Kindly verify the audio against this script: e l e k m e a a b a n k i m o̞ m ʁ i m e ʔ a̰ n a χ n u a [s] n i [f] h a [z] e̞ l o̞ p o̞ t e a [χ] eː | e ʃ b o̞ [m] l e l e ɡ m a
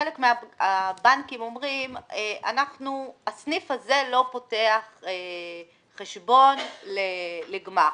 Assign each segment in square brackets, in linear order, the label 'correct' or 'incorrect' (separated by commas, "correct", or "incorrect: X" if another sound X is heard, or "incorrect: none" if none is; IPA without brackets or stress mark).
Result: correct, correct, correct, correct, incorrect: n